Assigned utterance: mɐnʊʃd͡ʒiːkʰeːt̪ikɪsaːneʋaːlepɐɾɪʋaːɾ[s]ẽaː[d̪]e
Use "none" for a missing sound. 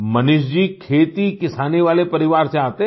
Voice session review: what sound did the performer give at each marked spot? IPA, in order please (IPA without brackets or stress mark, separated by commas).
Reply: s, t̪